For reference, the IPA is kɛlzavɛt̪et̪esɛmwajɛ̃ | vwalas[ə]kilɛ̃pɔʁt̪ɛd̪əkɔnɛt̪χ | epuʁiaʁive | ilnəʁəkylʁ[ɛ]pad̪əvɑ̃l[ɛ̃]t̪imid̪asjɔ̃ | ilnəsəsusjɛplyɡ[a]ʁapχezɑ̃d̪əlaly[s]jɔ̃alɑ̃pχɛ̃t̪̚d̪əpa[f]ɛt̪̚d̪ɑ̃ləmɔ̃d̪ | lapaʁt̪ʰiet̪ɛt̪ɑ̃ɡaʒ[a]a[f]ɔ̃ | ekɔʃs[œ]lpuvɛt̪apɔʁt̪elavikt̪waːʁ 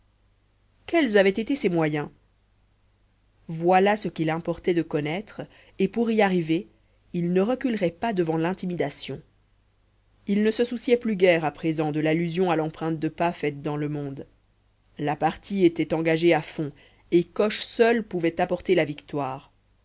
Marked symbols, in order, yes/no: yes, yes, yes, no, no, yes, no, yes, yes

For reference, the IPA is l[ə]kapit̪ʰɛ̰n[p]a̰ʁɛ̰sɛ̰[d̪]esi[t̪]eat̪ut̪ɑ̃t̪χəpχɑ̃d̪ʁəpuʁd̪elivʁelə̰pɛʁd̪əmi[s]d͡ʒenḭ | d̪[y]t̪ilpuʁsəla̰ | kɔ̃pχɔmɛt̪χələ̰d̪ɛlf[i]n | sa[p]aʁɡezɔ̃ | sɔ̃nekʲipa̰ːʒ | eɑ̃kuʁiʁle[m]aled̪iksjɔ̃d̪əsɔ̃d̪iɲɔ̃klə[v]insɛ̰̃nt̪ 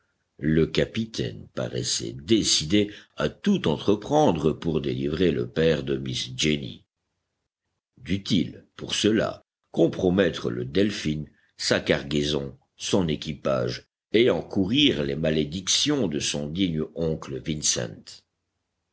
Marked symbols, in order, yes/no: yes, yes, yes, no, yes, yes, yes, no, yes, yes

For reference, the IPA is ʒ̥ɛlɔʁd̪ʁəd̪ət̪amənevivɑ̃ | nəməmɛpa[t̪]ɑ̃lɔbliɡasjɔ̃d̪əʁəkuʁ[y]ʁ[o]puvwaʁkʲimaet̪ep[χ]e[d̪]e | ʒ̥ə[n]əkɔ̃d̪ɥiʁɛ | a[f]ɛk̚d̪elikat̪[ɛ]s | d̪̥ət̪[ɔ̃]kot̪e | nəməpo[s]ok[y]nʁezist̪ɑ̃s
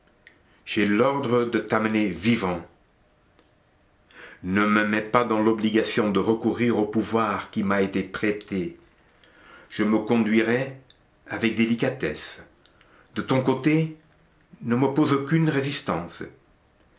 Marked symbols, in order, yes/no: no, no, yes, yes, no, no, no, yes, yes, no, yes

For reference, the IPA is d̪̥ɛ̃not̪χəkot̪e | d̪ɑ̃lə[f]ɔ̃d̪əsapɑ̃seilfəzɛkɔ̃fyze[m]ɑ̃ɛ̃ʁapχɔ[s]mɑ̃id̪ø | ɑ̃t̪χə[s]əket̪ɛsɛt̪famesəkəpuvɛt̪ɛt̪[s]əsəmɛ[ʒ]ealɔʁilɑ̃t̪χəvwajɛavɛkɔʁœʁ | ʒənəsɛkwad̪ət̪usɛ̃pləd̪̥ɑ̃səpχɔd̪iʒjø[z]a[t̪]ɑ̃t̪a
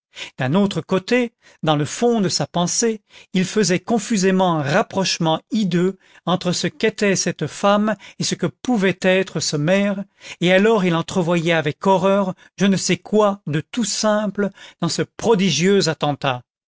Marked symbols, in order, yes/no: yes, yes, no, yes, no, no, yes, yes

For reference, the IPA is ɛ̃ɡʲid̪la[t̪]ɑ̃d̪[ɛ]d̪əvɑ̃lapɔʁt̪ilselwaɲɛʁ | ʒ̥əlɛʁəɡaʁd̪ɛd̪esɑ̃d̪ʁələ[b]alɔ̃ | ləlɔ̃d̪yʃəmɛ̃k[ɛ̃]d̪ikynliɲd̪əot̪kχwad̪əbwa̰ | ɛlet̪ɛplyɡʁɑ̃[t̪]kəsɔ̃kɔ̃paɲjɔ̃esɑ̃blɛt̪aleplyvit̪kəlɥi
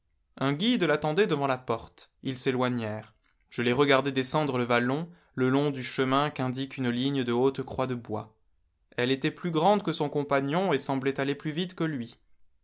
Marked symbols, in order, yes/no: yes, yes, no, yes, no

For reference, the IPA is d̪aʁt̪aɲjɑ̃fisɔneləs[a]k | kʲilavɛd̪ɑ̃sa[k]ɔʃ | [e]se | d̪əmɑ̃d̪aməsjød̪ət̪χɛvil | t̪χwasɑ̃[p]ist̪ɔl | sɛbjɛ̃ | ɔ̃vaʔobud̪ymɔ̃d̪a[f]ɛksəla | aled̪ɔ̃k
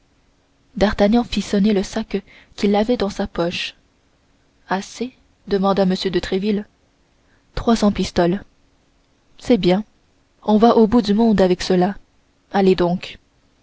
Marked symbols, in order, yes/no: yes, no, no, yes, no

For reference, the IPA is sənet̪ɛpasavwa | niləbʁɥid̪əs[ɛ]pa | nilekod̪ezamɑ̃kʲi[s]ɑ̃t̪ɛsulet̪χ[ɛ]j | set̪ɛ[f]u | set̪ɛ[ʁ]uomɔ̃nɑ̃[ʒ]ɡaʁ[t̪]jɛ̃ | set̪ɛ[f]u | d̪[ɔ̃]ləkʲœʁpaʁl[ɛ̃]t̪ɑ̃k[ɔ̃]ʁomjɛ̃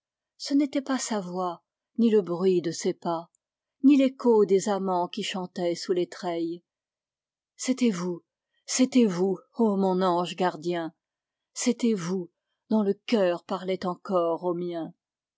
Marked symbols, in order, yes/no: no, no, yes, no, no, yes, no, no, yes, no, no

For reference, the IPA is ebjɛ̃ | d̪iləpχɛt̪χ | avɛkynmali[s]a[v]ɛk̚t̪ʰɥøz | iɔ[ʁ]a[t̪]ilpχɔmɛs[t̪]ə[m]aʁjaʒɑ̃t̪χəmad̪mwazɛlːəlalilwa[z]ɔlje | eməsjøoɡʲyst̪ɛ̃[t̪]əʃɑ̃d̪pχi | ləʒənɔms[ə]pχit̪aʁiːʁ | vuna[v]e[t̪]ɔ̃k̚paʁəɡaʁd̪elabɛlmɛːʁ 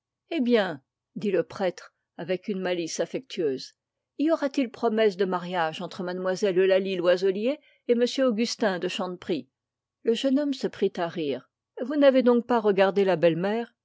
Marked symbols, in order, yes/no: yes, no, yes, yes, no, yes, yes, no, yes, yes, no

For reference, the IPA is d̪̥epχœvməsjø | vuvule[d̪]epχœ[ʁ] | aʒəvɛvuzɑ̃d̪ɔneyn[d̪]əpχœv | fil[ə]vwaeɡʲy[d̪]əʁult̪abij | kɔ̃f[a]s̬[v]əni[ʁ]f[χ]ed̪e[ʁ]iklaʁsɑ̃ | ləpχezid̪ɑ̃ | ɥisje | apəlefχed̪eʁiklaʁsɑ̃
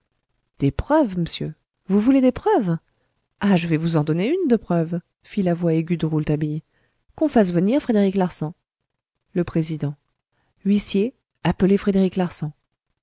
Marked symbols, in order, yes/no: yes, no, yes, no, yes, yes, yes, yes, yes, yes

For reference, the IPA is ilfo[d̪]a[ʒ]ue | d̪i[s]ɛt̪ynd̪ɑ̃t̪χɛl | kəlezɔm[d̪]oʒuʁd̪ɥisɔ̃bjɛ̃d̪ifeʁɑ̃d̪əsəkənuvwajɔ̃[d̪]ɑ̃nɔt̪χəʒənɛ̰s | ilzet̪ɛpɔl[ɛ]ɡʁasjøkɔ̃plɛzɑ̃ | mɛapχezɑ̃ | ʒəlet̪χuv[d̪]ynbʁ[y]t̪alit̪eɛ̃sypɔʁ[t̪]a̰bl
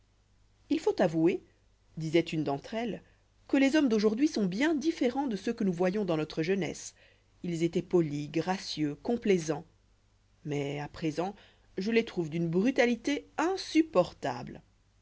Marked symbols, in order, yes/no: no, no, no, yes, yes, no, yes, yes, yes

